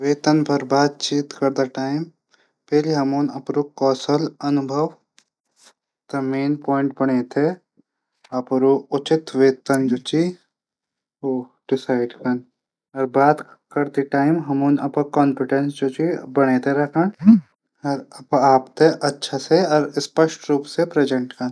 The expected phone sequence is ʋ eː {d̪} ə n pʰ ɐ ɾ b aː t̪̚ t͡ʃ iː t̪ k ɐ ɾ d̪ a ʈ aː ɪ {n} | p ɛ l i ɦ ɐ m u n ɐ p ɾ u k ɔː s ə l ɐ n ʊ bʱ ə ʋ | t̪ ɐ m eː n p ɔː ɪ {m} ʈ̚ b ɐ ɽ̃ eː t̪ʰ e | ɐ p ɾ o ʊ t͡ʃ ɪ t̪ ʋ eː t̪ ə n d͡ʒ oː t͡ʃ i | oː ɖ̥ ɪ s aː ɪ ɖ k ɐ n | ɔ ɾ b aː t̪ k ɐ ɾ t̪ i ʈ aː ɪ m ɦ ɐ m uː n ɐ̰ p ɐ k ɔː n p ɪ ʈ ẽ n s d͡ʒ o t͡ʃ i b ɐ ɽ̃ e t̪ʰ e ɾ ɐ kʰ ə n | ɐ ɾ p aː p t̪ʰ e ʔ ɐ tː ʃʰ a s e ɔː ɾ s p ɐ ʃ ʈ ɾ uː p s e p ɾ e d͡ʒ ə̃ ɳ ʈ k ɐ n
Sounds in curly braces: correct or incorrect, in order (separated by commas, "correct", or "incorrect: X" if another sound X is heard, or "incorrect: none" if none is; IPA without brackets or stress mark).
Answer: incorrect: t̪, incorrect: m, incorrect: ɳ